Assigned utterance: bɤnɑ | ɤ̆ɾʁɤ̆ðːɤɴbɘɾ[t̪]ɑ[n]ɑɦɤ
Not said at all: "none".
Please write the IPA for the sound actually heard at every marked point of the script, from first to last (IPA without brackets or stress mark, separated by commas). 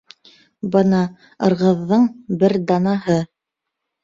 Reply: d̪, n